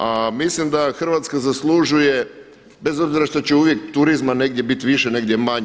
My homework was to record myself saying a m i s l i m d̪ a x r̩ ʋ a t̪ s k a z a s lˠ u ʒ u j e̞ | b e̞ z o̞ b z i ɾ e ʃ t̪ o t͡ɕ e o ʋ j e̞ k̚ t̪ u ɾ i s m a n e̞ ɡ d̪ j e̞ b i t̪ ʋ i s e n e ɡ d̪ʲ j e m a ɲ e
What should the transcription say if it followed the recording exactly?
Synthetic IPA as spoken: a m i s l i m d̪ a x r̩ ʋ a t̪ s k a z a s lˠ u ʒ u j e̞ | b e̞ z o̞ b z i ɾ a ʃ t̪ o t͡ɕ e u ʋ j e̞ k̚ t̪ u ɾ i z m a n e̞ ɡ d̪ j e̞ b i t̪ ʋ i ʃ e n e ɡ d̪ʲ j e m a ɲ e